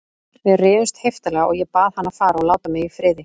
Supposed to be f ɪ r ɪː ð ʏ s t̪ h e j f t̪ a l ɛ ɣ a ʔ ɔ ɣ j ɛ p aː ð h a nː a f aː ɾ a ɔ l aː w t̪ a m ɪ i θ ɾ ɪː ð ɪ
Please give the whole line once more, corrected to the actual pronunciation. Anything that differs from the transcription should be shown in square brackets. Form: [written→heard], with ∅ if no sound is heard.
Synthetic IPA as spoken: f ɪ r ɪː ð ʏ s t̪ h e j f t̪ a l ɛ ɣ a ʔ ɔ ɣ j ɛ p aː ð h a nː a f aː ɾ a ɔ l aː w t̪ a m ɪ i [θ→f] ɾ ɪː ð ɪ